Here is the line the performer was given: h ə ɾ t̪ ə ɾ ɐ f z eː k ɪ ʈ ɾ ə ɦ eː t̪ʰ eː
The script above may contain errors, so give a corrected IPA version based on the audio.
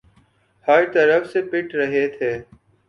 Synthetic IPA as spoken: h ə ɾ t̪ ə ɾ ə f s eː p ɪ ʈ ɾ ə ɦ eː t̪ʰ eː

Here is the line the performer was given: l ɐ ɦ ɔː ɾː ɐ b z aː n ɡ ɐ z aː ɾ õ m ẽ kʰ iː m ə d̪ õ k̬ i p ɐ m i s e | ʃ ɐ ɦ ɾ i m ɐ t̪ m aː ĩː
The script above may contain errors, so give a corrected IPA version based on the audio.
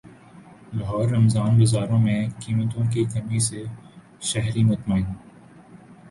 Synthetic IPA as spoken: l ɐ ɦ ɔː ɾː ɐ m z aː n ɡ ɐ z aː ɾ õ m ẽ k iː m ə t̪ õ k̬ i k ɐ m i s e | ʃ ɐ ɦ ɾ i m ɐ t̪ m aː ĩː

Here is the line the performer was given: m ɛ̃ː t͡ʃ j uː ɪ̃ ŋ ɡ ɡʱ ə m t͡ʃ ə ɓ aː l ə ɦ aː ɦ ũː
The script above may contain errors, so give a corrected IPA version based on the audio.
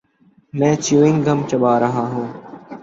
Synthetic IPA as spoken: m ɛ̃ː t͡ʃ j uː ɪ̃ ŋ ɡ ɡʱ ə m t͡ʃ ə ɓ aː ɾ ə ɦ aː ɦ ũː

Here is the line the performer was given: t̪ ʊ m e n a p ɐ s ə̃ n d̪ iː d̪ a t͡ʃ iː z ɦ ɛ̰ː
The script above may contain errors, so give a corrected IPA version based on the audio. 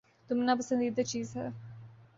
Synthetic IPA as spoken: t̪ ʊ m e n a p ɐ s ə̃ n d̪ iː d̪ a t͡ʃ iː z ɦ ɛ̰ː

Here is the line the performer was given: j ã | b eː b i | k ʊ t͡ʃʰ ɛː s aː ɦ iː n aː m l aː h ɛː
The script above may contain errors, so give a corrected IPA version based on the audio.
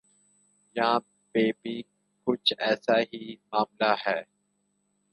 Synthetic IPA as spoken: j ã | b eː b i | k ʊ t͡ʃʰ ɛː s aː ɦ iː m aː m l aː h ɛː

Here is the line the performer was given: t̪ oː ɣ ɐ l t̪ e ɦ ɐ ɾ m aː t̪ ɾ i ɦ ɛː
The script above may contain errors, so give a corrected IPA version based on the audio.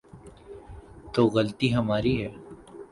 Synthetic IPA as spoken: t̪ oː ɣ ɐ l t̪ i ɦ ɐ m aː ɾ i ɦ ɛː

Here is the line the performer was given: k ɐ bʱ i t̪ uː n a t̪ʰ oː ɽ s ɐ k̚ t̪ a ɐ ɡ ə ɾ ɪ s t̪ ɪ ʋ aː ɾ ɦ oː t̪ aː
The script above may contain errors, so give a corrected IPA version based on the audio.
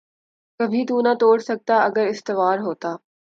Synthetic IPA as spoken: k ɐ bʱ i t̪ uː n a t̪ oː ɽ s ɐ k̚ t̪ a ɐ ɡ ə ɾ ɪ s t̪ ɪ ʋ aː ɾ ɦ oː t̪ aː

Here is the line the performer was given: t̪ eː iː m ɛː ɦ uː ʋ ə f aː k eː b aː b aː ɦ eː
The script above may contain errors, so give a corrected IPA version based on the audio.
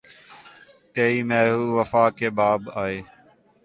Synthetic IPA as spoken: t̪ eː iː m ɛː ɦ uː ʋ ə f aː k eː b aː b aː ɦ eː

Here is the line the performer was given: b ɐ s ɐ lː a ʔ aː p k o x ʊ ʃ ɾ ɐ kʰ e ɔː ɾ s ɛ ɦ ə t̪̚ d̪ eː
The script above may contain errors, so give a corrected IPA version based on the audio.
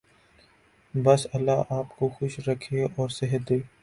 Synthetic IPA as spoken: b ɐ s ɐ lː a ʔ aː p k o x ʊ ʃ ɾ ɐ kʰ e ɔː ɾ s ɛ ɦ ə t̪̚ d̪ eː

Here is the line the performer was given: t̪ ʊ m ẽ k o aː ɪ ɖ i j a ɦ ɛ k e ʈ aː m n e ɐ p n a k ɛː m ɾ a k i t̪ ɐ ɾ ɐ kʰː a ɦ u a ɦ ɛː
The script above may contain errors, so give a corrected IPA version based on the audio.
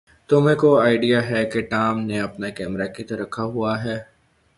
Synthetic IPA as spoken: t̪ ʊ m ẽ k o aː ɪ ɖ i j a ɦ ɛ k e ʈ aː m n e ɐ p n a k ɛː m ɾ a k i t̪ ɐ ɾ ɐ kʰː a ɦ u a ɦ ɛː

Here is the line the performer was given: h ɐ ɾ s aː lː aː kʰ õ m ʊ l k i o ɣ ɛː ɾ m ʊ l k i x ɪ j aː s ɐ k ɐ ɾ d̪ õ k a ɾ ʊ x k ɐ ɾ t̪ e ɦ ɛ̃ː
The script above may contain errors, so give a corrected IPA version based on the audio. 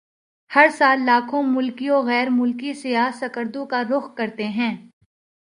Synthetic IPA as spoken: h ɐ ɾ s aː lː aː kʰ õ m ʊ l k i o ɣ ɛː ɾ m ʊ l k i s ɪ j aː s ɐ k ə ɾ d̪ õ k a ɾ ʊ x k ɐ ɾ t̪ e ɦ ɛ̃ː

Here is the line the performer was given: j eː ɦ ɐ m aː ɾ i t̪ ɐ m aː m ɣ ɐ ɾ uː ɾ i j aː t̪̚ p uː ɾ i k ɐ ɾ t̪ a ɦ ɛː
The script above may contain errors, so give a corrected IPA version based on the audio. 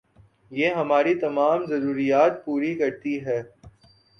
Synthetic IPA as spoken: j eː ɦ ɐ m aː ɾ i t̪ ɐ m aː m z ɐ ɾ uː ɾ i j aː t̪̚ p uː ɾ i k ɐ ɾ t̪ i ɦ ɛː

